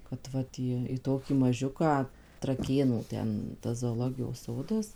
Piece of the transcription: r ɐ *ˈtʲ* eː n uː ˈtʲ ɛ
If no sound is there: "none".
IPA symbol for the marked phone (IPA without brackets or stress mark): kʲ